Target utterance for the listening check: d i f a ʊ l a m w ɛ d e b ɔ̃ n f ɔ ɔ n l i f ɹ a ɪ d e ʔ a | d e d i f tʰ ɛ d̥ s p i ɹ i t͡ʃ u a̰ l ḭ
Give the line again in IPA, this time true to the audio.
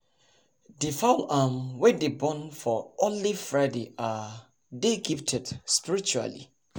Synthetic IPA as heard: d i f a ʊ l a m w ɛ d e b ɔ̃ n f ɔ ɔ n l i f ɹ a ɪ d e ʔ a | d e ɡ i f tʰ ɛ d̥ s p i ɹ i t͡ʃ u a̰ l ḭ